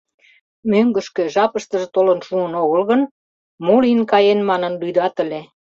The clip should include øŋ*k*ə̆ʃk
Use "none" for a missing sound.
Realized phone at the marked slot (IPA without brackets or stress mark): ɡ